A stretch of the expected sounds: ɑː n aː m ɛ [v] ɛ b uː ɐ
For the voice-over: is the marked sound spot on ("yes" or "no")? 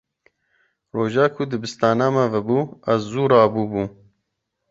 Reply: yes